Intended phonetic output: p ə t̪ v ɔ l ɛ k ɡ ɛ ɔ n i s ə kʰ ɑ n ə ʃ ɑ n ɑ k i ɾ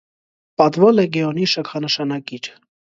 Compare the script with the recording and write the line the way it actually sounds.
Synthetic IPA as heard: p ɑ t̪ v ɔ l ɛ ɡ ɛ ɔ n i ʃ ə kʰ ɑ n ə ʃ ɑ n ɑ k i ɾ